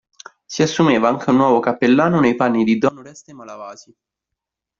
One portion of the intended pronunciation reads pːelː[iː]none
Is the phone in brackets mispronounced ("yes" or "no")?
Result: yes